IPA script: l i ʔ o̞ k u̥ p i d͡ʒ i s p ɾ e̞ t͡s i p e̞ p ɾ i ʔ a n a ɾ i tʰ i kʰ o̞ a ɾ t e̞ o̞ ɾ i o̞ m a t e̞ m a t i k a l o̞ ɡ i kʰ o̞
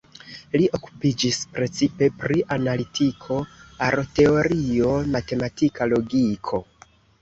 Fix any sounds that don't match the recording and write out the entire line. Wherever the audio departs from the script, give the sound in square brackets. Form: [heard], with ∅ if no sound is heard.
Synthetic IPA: l i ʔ o̞ k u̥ p i d͡ʒ i s p ɾ e̞ t͡s i p e̞ p ɾ i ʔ a n a [l] i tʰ i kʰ o̞ a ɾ t e̞ o̞ ɾ i o̞ m a t e̞ m a t i k a l o̞ ɡ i kʰ o̞